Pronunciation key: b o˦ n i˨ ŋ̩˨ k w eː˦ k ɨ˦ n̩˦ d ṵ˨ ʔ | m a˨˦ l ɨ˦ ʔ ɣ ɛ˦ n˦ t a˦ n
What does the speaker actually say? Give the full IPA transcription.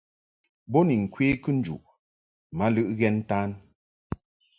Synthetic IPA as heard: b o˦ n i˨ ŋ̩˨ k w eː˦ k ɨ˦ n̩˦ d͡ʒ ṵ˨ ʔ | m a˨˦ l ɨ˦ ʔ ɣ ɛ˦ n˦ t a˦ n

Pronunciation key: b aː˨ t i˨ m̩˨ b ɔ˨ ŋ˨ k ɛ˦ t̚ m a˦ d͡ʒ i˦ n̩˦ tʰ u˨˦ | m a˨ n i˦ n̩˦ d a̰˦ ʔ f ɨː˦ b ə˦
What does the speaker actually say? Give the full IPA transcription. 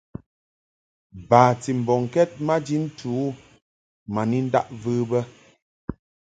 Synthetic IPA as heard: b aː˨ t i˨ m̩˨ b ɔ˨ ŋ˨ k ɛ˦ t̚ m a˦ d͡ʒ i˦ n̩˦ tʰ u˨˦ | m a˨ n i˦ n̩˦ d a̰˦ ʔ v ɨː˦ b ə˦

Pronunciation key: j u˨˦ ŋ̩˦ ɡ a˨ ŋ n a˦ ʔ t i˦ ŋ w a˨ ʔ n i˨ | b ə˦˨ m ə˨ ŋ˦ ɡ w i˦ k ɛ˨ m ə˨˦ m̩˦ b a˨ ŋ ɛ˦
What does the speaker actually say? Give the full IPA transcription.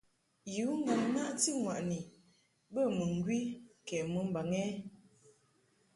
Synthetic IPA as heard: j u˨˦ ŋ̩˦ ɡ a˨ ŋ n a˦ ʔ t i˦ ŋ w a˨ ʔ n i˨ | b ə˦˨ m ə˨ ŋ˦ ɡ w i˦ k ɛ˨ m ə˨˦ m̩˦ b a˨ ŋ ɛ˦

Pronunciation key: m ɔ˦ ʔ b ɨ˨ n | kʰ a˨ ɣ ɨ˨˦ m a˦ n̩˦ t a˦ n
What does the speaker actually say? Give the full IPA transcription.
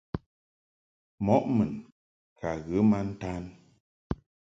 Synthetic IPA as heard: m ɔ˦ ʔ m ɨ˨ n | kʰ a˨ ɣ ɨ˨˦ m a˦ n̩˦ t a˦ n

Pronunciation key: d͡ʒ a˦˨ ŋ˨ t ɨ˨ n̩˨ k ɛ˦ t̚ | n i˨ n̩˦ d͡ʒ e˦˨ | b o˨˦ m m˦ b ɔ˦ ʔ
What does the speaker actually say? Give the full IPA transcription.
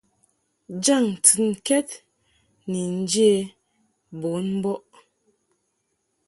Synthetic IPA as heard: d͡ʒ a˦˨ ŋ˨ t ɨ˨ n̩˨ k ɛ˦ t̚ | n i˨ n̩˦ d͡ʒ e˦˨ | b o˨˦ n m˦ b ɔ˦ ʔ

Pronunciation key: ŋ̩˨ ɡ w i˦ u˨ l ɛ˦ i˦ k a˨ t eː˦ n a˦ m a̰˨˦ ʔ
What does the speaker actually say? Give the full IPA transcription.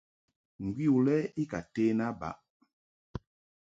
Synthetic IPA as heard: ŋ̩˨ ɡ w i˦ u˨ l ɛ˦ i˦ k a˨ t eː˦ n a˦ b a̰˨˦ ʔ

